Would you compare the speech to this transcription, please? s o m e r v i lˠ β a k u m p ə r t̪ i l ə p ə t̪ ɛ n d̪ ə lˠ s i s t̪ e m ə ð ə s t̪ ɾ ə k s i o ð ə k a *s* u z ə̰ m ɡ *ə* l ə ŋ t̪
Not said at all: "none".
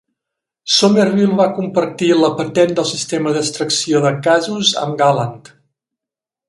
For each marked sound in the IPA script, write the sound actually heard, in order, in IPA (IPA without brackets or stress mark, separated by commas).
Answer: z, a